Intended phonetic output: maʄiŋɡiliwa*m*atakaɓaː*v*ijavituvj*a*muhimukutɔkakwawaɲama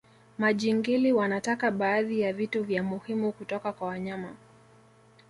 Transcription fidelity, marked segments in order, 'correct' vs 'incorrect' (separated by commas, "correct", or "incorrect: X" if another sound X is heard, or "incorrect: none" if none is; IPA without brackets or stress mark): incorrect: n, incorrect: ð, correct